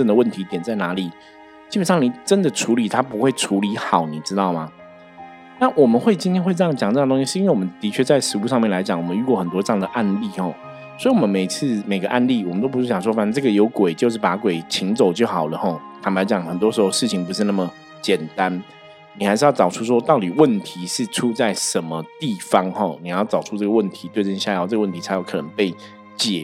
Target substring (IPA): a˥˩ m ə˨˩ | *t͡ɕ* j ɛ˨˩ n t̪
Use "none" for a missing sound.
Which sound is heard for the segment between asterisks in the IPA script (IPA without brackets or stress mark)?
t͡ɕ